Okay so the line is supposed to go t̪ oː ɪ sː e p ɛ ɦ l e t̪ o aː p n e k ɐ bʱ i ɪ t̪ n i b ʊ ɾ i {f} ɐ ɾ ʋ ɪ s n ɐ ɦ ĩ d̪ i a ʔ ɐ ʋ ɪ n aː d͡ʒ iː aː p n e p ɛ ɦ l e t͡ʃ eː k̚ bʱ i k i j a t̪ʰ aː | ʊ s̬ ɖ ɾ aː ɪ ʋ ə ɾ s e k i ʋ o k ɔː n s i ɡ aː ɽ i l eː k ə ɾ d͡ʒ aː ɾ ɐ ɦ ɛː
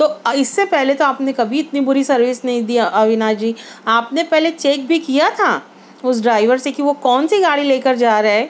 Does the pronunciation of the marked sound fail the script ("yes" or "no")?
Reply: yes